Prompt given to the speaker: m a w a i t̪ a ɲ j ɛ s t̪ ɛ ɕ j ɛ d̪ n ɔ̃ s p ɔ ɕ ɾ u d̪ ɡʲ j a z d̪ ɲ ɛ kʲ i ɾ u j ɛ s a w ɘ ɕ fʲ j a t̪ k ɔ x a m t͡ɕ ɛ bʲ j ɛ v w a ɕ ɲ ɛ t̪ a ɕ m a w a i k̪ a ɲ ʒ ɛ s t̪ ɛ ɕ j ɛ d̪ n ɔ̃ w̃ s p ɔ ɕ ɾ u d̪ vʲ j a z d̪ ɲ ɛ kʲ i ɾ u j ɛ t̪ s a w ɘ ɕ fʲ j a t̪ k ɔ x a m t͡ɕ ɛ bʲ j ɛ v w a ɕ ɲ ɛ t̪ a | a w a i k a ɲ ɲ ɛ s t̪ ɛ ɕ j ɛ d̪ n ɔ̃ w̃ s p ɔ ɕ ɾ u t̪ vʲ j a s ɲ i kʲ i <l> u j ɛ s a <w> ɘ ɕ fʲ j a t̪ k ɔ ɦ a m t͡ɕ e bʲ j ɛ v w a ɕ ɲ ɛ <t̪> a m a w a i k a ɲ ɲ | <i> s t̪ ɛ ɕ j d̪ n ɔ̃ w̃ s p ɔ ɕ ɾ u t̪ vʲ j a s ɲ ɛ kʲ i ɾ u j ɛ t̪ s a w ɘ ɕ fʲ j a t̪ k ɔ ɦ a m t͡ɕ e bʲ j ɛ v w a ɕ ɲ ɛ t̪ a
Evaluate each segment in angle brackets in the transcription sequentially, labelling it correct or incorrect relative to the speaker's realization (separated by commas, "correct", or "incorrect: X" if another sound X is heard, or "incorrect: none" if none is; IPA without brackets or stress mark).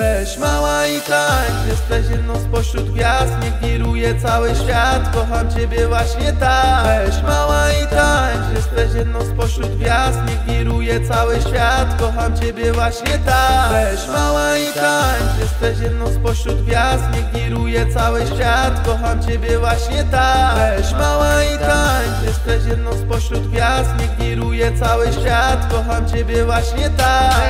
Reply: incorrect: ɾ, correct, correct, incorrect: ɛ